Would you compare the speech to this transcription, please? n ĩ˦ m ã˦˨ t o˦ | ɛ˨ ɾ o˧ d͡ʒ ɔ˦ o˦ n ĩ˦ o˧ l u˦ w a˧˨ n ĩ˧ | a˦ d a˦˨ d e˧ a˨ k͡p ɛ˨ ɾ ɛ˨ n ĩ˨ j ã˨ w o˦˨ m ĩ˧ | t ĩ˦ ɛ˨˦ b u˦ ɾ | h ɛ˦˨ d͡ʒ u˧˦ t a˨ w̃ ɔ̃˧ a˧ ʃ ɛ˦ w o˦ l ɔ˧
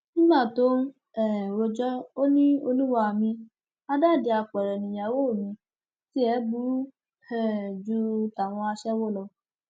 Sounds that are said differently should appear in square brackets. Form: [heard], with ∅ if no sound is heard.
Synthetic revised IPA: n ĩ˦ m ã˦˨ t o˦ | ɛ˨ ɾ o˧ d͡ʒ ɔ˦ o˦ n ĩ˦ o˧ l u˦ w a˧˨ [m] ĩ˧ | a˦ d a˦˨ d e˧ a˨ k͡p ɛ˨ ɾ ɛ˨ n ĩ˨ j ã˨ w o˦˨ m ĩ˧ | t [i˦] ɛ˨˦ b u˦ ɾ | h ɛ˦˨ d͡ʒ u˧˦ t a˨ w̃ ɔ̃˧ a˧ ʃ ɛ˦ w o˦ l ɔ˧